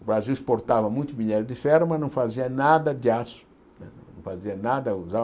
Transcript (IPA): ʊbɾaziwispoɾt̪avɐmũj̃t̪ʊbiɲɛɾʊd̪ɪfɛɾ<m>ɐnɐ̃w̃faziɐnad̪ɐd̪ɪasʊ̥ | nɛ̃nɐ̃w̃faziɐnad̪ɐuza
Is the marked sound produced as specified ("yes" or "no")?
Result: yes